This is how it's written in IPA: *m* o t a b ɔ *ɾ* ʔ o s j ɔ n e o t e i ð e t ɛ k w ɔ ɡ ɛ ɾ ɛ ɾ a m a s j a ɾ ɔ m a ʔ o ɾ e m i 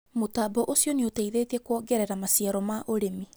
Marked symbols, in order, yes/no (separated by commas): yes, no